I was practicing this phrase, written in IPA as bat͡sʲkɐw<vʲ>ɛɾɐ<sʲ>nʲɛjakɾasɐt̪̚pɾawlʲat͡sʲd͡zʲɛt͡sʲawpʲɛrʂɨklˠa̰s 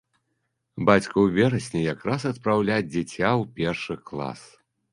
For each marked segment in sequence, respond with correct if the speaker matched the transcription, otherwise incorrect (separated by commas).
correct, correct